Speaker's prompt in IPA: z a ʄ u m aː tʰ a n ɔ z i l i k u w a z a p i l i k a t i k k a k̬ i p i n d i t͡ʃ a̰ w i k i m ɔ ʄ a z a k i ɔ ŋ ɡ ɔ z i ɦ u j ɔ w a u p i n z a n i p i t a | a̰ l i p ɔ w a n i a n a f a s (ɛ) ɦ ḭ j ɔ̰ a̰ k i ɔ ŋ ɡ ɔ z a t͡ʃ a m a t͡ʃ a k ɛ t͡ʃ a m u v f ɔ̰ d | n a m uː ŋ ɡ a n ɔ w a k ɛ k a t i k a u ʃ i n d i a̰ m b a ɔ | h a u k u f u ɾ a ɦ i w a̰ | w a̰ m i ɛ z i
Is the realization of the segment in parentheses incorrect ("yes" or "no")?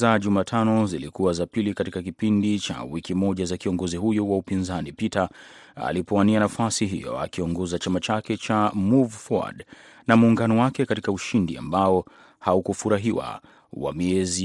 yes